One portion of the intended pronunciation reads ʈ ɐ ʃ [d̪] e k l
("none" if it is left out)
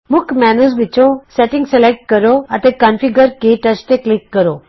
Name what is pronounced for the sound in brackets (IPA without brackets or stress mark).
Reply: t̪